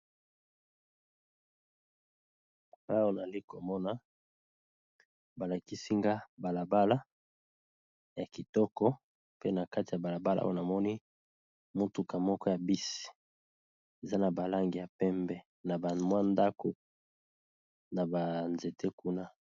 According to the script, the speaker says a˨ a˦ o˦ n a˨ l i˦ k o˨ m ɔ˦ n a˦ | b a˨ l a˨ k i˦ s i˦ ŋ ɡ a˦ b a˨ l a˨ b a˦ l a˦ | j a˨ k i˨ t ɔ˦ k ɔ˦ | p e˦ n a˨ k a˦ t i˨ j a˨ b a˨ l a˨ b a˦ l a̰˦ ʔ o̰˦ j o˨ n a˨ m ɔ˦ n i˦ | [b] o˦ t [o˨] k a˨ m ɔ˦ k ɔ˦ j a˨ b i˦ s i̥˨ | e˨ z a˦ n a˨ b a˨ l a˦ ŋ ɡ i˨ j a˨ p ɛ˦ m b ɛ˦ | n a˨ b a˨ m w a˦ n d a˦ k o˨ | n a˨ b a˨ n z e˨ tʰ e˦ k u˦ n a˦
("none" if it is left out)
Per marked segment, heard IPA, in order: m, u˨

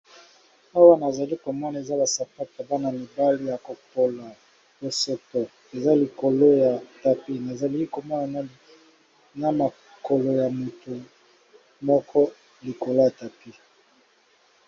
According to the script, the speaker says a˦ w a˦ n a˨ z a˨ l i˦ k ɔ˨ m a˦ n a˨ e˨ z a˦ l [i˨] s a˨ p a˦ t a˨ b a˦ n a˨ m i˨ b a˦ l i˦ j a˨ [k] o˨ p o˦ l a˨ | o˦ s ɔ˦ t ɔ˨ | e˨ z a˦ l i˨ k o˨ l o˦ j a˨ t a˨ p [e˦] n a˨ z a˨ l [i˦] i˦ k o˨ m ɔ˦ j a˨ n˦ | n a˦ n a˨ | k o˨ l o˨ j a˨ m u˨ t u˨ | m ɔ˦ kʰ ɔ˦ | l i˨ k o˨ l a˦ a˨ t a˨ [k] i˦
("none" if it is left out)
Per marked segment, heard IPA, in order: a˨, k, i˦, i˦, p

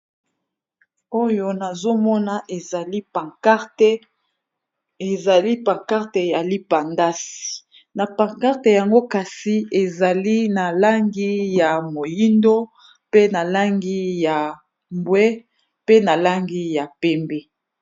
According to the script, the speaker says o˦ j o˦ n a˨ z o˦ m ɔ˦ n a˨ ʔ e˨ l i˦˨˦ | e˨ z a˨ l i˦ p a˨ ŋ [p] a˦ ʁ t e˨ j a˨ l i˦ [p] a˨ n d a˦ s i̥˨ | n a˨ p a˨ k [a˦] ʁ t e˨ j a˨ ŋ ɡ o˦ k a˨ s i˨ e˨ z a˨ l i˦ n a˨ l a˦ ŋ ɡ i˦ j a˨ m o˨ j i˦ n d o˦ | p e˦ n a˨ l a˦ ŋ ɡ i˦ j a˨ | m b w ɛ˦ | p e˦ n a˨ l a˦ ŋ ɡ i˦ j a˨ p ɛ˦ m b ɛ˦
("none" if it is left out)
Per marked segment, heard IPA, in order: k, p, a˦

